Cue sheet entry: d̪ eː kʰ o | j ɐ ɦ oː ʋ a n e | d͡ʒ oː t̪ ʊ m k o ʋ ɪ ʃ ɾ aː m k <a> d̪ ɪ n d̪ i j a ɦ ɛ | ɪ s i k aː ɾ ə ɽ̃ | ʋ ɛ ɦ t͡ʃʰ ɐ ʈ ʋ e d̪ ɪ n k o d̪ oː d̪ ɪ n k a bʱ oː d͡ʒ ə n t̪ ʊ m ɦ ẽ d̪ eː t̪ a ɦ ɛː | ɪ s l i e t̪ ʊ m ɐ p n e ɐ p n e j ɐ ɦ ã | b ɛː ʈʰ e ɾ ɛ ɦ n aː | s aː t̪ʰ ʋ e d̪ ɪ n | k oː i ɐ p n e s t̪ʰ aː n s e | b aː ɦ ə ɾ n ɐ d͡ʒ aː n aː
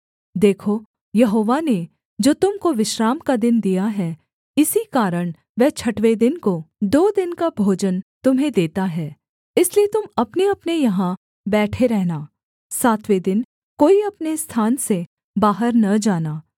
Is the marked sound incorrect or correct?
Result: correct